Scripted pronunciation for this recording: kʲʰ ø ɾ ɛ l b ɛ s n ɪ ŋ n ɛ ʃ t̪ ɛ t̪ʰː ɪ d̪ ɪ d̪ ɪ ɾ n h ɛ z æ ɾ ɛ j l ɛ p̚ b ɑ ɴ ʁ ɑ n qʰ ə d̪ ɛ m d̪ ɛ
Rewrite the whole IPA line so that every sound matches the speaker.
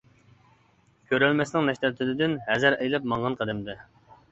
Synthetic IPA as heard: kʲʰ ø ɾ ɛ l m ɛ s n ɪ ŋ n ɛ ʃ t̪ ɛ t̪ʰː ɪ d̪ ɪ d̪ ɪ n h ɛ z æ ɾ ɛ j l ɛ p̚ m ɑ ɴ ʁ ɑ n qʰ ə d̪ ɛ m d̪ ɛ